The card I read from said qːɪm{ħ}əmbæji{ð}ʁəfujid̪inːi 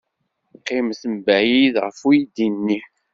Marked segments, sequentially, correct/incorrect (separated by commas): incorrect, correct